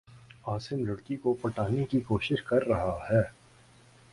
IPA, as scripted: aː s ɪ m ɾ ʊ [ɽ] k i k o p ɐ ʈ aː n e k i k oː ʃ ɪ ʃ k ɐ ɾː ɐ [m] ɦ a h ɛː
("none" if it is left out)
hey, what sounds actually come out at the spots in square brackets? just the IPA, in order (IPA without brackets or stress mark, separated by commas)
ɽ, none